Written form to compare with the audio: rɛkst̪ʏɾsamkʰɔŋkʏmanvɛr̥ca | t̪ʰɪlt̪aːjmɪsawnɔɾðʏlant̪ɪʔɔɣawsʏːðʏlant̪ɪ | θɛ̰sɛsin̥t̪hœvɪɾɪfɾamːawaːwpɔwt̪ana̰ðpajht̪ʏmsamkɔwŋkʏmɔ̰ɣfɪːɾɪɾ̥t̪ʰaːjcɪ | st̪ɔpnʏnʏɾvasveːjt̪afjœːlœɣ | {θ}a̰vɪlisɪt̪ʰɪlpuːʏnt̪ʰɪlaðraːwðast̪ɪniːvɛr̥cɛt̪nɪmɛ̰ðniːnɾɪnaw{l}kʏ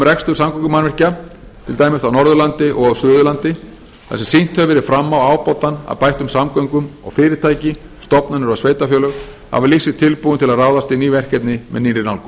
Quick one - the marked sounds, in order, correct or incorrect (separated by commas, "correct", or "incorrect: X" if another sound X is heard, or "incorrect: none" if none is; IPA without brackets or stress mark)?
incorrect: h, correct